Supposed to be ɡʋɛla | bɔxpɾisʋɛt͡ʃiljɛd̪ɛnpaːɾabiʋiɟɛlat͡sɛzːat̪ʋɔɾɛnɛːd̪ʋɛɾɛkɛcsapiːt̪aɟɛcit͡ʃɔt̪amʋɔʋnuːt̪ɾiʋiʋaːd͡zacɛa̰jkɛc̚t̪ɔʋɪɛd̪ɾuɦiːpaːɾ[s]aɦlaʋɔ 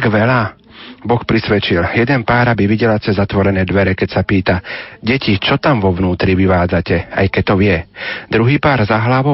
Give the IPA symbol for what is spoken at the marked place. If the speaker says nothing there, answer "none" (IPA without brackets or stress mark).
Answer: z